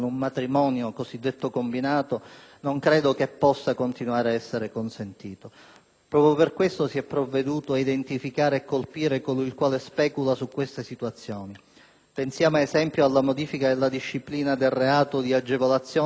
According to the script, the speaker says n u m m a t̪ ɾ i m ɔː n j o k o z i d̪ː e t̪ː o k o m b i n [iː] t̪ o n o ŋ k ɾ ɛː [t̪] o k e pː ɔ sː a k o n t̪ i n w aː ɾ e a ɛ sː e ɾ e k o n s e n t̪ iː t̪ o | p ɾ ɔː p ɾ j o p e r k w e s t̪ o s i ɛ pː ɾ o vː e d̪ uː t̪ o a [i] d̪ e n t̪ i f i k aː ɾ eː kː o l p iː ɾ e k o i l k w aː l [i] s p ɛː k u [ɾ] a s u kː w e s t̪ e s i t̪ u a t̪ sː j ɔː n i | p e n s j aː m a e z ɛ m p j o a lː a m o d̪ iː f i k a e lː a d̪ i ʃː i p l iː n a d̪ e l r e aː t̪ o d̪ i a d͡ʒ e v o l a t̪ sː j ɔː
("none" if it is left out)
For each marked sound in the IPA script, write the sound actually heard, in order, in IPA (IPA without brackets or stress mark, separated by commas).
aː, d̪, i, e, l